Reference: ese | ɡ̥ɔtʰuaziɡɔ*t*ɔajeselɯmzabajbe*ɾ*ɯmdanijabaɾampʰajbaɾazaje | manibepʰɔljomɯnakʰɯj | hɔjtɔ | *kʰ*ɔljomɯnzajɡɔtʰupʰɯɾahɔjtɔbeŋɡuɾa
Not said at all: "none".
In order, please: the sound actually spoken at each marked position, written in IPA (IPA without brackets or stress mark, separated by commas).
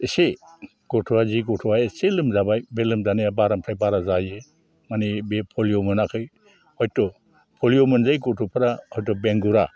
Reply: tʰ, l, pʰ